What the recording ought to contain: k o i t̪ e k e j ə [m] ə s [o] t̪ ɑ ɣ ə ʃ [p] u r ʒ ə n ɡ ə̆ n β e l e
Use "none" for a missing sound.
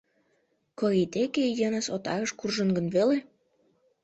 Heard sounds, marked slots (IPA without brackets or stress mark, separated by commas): n, o, k